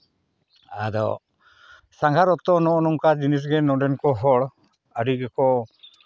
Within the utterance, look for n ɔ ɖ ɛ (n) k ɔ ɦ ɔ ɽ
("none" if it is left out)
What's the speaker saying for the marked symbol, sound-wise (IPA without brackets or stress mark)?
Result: n